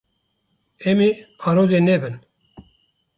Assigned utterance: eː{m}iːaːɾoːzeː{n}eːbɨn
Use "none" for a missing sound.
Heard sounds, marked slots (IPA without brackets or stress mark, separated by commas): m, n